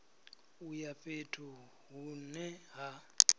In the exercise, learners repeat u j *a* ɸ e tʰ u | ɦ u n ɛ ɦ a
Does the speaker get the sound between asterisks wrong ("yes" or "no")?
no